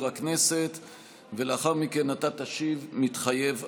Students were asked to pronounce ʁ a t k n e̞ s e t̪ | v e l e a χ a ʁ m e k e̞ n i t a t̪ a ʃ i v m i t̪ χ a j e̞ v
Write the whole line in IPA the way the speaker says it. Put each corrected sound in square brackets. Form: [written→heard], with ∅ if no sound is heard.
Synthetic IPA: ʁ a [t→∅] k n e̞ s e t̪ | v e l e a χ a ʁ m [e→i] k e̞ n [i→a] t a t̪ a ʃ i v m i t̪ χ a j e̞ v